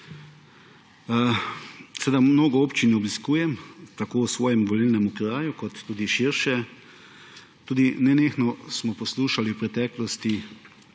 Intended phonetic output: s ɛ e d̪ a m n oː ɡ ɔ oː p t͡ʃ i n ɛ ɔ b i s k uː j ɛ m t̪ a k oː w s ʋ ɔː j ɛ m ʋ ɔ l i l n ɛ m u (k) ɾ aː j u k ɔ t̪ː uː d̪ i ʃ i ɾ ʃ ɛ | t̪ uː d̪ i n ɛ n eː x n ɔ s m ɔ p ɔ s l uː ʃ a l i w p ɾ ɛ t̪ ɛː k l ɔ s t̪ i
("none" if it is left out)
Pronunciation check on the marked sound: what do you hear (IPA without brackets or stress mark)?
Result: k